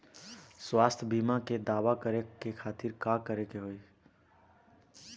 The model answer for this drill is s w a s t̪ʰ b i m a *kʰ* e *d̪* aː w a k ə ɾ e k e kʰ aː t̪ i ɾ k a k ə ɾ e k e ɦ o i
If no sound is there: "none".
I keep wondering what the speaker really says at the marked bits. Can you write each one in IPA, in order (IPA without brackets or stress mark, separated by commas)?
k, d̪